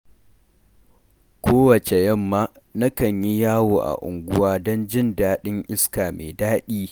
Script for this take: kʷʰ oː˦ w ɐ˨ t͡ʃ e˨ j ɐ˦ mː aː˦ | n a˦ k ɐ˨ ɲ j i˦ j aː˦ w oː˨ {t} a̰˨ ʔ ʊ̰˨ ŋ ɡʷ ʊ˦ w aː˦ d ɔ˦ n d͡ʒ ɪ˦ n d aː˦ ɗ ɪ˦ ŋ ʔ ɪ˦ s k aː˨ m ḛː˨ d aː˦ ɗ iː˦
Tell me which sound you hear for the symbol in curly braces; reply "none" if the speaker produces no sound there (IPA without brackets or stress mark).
ʔ